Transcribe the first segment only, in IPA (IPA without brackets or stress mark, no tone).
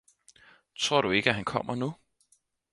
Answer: t͡sʰ